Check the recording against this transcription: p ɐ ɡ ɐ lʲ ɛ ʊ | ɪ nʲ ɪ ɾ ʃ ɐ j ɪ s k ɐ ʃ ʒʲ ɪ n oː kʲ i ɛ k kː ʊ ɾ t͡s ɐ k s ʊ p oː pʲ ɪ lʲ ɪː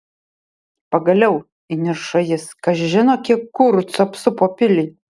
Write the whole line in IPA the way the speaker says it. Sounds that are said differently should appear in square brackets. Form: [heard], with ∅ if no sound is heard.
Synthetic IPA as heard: p ɐ ɡ ɐ lʲ ɛ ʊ | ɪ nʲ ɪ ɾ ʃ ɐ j ɪ s k ɐ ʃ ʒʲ ɪ n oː kʲ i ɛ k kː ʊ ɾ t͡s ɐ [p] s ʊ p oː pʲ ɪ lʲ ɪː